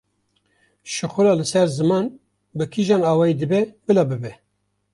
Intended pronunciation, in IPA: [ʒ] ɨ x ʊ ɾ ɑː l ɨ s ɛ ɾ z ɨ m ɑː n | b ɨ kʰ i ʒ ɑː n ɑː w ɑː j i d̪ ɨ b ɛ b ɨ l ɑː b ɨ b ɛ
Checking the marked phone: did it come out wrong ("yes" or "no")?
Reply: yes